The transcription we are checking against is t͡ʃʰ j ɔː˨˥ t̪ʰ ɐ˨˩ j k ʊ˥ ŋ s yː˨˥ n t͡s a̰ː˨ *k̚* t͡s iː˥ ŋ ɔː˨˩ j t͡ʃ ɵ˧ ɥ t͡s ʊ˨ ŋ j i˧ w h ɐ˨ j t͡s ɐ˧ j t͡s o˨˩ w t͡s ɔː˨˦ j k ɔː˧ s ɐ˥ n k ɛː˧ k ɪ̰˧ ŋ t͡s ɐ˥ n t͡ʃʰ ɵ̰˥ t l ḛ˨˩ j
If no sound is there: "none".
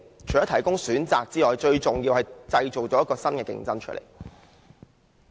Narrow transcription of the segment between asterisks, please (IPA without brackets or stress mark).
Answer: k̚